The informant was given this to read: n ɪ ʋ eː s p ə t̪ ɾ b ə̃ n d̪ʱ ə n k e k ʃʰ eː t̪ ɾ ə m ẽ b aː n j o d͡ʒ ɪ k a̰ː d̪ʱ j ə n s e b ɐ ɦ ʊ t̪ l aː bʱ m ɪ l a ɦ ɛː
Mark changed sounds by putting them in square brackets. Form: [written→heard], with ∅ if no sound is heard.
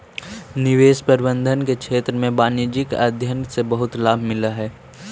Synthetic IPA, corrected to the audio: n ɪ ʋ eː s p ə [t̪→∅] ɾ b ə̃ n d̪ʱ ə n k e k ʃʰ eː t̪ ɾ ə m ẽ b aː n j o d͡ʒ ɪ k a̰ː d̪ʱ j ə n s e b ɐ ɦ ʊ t̪ l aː bʱ m ɪ l a ɦ ɛː